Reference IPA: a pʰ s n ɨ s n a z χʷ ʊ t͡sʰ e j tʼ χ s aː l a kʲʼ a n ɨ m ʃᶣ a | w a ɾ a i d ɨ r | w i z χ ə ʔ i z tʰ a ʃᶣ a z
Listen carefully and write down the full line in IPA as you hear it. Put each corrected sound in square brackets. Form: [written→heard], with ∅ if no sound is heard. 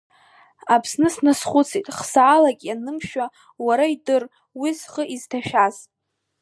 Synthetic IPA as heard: a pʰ s n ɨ s n a [z→s] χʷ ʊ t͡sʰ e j tʼ χ s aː l a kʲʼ a n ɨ m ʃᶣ a | w a ɾ a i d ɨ r | w i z χ ə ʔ i z tʰ a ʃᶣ a z